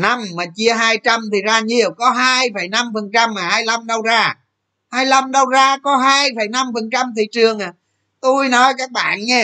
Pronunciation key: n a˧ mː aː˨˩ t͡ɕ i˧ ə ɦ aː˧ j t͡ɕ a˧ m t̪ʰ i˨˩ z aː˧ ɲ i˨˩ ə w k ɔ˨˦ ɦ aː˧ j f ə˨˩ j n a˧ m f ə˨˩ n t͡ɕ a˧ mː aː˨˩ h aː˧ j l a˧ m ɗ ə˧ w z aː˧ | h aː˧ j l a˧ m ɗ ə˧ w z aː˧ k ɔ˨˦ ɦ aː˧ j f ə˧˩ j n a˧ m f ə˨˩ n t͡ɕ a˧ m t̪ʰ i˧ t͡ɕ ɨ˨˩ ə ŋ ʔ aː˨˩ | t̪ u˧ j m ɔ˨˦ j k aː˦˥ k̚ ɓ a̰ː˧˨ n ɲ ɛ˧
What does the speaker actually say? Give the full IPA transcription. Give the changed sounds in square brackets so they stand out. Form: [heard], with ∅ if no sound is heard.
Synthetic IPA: n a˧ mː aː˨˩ t͡ɕ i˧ ə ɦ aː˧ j t͡ɕ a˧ m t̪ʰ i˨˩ z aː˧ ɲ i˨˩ ə w k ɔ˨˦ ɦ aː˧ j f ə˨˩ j n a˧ m f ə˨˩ n t͡ɕ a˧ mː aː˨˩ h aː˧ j l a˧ m ɗ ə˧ w z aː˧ | h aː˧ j l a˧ m ɗ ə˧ w z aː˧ k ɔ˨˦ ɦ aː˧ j f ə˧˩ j n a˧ m f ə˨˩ n t͡ɕ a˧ m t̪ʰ [i˨˩] t͡ɕ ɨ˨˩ ə ŋ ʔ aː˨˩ | t̪ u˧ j [n] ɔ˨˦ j k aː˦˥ k̚ ɓ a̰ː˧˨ n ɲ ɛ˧